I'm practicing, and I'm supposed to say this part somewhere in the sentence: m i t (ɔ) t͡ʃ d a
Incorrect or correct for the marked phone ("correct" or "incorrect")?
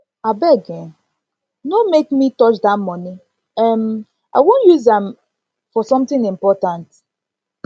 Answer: correct